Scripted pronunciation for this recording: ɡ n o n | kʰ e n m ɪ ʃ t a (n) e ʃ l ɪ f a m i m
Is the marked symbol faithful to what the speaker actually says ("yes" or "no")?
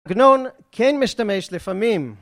no